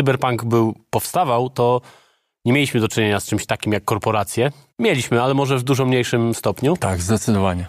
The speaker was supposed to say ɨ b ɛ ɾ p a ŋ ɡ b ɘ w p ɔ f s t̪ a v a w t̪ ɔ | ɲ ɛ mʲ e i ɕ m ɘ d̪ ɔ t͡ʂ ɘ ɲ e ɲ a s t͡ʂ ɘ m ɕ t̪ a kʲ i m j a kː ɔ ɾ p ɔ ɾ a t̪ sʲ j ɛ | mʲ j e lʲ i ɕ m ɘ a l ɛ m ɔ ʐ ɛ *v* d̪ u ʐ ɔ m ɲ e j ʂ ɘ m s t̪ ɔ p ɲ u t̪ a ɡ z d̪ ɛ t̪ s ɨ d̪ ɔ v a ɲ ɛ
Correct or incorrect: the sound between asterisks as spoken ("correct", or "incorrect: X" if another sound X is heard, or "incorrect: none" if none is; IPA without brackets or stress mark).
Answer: correct